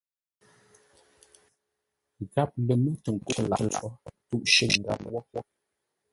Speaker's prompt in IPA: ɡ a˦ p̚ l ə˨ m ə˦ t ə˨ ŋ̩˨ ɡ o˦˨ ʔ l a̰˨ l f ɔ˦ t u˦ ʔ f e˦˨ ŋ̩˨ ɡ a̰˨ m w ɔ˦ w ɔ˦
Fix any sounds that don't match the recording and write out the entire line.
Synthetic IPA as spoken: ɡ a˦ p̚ l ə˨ m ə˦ t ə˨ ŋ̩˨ k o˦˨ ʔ l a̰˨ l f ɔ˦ t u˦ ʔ ʃ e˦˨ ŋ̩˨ ɡ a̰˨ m w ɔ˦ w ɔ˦